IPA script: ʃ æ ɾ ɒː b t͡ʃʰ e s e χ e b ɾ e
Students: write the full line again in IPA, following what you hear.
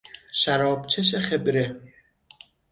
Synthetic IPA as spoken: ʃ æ ɾ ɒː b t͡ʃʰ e ʃ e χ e b ɾ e